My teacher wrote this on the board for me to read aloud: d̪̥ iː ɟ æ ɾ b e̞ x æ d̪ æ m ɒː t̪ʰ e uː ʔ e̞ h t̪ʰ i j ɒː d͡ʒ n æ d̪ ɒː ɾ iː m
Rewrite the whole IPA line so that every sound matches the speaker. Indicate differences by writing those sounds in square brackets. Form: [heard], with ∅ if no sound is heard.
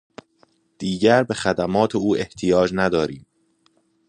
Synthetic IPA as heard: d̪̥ iː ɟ æ ɾ b e̞ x æ d̪ æ m ɒː t̪ʰ e uː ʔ e̞ h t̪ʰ i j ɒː d͡ʒ n æ d̪ ɒː ɾ iː m